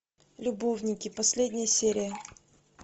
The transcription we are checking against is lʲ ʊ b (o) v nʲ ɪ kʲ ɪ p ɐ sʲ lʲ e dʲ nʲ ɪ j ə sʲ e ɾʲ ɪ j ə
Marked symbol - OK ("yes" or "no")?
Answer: yes